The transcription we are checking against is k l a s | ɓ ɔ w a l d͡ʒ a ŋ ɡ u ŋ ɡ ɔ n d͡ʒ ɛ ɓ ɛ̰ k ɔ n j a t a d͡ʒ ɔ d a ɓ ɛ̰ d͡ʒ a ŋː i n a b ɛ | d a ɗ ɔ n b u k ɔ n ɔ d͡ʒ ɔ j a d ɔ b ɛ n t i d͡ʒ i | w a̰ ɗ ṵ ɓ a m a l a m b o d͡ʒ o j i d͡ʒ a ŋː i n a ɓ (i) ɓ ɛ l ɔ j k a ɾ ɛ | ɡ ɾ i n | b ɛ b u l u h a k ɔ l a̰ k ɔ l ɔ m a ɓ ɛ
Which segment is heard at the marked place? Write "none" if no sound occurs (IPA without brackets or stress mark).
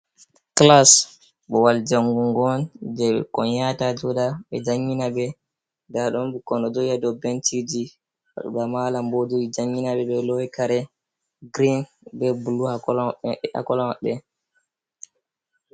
ɛ